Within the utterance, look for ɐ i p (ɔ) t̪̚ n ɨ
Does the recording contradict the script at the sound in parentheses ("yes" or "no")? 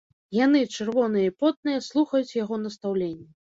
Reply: no